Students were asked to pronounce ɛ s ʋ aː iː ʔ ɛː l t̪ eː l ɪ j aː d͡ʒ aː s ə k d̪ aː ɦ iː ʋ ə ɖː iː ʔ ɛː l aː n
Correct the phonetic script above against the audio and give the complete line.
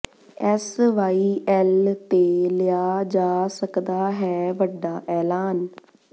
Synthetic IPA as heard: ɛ s ʋ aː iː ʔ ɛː l t̪ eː l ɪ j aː d͡ʒ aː s ə k d̪ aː ɦ ɛː ʋ ə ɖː aː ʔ ɛː l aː n